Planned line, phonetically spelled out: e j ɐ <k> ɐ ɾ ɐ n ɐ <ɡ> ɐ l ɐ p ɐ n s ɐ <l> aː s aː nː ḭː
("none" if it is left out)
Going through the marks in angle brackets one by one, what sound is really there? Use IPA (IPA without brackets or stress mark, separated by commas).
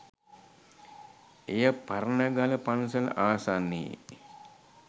p, ɡ, l